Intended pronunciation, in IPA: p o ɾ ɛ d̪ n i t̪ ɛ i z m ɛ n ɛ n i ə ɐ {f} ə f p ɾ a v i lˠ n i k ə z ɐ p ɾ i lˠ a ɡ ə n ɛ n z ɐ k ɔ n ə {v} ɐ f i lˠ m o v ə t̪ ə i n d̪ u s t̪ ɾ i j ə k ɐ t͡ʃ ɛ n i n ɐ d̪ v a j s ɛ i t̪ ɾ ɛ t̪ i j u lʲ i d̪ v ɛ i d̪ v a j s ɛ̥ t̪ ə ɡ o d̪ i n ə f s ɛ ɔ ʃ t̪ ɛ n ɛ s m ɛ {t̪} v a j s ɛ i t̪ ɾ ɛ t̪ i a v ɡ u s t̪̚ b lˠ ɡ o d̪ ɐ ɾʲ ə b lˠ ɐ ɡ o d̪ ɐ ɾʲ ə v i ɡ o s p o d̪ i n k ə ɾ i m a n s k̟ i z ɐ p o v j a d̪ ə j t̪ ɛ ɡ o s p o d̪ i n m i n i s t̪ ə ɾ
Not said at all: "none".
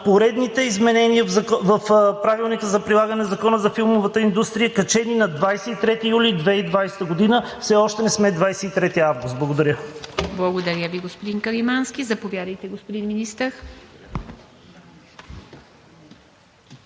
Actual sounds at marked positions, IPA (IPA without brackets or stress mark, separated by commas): v, z, d̪